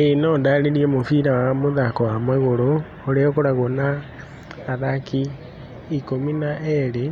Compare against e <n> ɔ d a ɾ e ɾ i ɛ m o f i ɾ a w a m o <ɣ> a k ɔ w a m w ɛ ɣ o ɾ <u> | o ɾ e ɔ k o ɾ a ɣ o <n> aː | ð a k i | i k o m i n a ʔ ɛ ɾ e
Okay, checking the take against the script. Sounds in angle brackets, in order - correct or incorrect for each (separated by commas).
correct, incorrect, incorrect, correct